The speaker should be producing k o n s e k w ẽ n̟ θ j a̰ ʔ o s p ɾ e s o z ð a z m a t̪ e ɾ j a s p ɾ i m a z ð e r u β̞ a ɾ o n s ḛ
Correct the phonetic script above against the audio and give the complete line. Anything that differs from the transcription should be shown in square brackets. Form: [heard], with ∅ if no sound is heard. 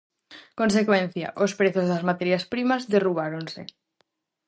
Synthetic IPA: k o n s e k w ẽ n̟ θ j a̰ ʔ o s p ɾ e [θ] o z ð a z m a t̪ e ɾ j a s p ɾ i m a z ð e r u β̞ a ɾ o n s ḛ